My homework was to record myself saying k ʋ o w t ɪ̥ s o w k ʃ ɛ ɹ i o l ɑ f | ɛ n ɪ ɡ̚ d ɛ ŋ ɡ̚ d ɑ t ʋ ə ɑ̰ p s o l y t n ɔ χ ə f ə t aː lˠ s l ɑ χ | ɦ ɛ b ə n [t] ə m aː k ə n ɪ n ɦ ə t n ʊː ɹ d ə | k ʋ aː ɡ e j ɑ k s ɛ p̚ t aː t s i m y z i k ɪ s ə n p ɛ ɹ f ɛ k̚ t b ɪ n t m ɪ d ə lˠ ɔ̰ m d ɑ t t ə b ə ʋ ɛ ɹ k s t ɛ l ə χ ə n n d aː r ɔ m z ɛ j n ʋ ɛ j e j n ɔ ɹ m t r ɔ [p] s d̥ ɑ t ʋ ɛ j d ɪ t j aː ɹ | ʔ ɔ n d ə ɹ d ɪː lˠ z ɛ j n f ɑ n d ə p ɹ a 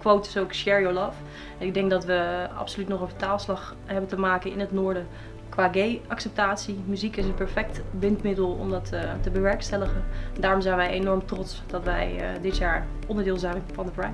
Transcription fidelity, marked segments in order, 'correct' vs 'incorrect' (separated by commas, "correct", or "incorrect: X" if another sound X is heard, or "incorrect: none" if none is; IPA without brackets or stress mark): correct, incorrect: t